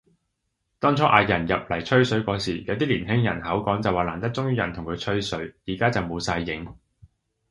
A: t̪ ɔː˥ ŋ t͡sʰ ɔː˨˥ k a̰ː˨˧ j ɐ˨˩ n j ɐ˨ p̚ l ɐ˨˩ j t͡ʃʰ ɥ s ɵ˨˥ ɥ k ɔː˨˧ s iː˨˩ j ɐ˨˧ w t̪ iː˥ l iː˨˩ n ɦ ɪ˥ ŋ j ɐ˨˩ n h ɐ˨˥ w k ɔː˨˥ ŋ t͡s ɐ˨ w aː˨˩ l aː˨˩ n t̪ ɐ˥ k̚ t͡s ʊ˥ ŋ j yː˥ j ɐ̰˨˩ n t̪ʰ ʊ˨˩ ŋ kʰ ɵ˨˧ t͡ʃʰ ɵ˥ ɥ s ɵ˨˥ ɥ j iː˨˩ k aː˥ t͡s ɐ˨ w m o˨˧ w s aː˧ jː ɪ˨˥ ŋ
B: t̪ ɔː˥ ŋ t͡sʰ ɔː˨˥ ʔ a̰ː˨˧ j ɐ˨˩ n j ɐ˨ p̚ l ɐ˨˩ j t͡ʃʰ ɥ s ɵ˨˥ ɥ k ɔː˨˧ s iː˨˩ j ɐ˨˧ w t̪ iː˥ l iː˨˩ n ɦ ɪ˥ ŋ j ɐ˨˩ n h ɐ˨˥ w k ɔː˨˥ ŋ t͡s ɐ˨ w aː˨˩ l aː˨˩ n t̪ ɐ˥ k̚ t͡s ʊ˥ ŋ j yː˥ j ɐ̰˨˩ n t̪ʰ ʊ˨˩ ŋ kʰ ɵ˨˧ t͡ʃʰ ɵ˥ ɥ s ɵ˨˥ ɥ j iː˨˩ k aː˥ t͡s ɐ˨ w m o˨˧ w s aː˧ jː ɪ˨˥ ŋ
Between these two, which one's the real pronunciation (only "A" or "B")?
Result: B